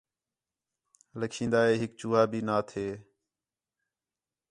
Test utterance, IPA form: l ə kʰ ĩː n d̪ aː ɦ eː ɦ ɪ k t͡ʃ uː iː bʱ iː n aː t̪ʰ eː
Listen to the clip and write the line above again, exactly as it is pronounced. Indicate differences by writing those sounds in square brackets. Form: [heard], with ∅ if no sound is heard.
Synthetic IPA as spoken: l ə kʰ ĩː n d̪ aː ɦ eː ɦ ɪ k t͡ʃ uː [aː] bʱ iː n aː t̪ʰ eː